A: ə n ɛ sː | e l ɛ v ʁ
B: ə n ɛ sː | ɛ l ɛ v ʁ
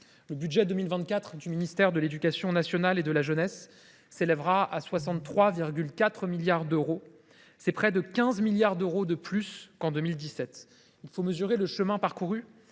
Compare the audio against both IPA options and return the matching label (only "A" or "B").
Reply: A